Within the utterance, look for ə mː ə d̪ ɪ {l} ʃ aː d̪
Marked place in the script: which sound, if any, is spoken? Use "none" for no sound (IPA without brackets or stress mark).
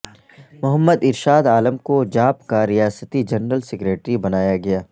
ɾ